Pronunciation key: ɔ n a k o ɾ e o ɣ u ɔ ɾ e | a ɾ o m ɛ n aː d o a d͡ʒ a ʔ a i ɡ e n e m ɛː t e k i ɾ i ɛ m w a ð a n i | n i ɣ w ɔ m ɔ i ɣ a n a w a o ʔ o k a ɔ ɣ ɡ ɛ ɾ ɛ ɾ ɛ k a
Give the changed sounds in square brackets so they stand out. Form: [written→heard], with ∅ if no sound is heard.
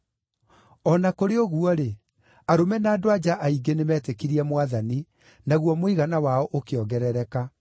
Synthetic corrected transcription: ɔ n a k o ɾ e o ɣ u ɔ ɾ e | a ɾ o m ɛ n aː d o a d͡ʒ a ʔ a i ɡ e n e m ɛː t e k i ɾ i ɛ m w a ð a n i | n [i→a] ɣ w ɔ m [ɔ→o] i ɣ a n a w a [o→ɔ] ʔ o k [a→e] ɔ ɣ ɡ ɛ ɾ ɛ ɾ ɛ k a